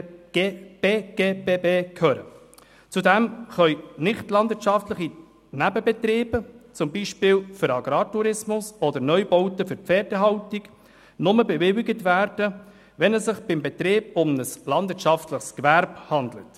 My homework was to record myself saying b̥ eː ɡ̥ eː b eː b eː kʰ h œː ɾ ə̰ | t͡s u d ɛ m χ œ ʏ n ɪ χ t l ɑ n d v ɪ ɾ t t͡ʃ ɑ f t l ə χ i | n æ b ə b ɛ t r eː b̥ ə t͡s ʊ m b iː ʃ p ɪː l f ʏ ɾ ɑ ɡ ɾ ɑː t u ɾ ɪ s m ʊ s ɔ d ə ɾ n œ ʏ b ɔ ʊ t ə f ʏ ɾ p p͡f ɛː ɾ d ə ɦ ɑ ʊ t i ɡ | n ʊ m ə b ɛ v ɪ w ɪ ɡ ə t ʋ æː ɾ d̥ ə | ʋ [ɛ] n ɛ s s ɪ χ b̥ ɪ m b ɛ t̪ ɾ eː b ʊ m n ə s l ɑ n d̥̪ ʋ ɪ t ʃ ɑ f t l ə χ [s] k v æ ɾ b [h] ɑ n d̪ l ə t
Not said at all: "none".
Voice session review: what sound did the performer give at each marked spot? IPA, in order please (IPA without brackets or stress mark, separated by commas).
ɛ, s, h